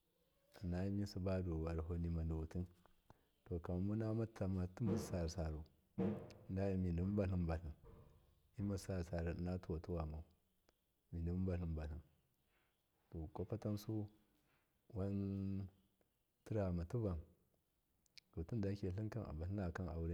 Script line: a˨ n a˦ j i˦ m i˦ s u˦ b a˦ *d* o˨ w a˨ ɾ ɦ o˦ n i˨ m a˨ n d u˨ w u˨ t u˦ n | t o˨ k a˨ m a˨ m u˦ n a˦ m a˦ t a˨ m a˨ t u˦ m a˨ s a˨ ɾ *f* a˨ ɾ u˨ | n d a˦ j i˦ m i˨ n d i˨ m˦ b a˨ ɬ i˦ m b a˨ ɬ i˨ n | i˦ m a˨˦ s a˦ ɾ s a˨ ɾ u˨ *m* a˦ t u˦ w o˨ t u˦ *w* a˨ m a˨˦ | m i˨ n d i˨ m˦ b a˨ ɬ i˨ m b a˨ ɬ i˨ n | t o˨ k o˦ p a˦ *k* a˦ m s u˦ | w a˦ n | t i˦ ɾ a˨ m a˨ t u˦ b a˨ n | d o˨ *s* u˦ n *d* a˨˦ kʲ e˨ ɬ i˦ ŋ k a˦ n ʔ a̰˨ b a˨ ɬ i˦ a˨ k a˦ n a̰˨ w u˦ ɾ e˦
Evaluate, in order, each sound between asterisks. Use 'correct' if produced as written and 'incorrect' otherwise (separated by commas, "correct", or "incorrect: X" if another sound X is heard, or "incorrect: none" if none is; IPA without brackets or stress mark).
correct, incorrect: s, incorrect: n, correct, incorrect: t, incorrect: t, correct